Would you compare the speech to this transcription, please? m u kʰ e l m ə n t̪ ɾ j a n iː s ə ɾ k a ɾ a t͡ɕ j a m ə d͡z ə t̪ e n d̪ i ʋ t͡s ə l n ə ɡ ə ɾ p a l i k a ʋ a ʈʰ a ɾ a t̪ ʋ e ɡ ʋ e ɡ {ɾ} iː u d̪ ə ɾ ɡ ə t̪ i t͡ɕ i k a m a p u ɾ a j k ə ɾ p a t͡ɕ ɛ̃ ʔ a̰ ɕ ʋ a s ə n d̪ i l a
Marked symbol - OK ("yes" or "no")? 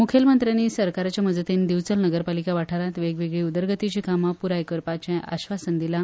no